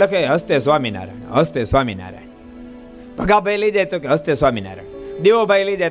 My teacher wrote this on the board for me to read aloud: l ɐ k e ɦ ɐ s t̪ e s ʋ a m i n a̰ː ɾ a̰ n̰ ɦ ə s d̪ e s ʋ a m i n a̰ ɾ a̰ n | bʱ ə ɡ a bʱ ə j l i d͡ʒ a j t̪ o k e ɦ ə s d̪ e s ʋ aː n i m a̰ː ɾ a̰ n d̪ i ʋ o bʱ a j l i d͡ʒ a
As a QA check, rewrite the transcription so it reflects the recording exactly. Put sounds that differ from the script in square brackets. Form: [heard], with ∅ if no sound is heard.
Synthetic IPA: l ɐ k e ɦ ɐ s t̪ e s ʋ a m i n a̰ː ɾ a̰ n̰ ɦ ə s [t̪] e s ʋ a m i n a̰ ɾ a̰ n | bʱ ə ɡ a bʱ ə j l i d͡ʒ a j t̪ o k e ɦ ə s [t̪] e s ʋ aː [m] i [n] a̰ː ɾ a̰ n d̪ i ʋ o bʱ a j l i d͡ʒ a